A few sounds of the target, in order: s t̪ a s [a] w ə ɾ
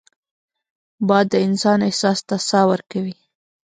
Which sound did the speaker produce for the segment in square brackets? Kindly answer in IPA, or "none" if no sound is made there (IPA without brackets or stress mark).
ɑ